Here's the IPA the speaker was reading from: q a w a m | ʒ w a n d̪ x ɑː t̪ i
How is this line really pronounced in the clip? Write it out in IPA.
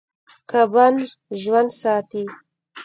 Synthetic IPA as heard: k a b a n | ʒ w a n d̪ s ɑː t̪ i